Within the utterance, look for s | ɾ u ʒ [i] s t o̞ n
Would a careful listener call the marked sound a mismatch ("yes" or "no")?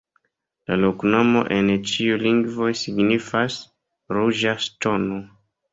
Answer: yes